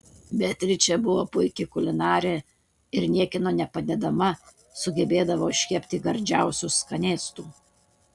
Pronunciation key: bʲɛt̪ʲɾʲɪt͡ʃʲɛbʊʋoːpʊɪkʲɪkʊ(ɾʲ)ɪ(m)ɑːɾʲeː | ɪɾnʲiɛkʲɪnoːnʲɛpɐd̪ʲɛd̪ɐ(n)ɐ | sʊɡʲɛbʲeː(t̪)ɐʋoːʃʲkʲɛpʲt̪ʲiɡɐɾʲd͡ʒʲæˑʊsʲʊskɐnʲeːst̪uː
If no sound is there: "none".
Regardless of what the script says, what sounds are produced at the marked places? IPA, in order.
lʲ, n, m, d̪

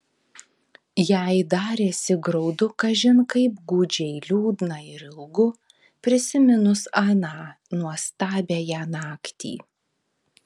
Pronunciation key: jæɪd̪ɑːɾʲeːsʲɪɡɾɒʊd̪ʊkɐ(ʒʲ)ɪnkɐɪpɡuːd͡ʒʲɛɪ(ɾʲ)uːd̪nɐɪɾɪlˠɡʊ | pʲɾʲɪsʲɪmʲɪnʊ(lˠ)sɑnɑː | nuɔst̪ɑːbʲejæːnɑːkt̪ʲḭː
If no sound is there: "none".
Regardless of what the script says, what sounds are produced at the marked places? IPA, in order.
ʒʲ, lʲ, none

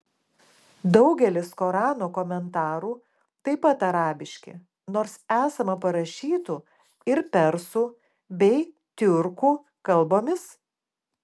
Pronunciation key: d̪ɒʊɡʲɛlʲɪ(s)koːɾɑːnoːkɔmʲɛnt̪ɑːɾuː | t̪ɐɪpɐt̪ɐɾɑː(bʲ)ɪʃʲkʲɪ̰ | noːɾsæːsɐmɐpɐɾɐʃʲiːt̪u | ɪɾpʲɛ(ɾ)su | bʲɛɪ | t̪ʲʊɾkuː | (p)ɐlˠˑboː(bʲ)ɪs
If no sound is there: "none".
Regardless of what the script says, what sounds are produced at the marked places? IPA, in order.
s, bʲ, ɾ, k, mʲ

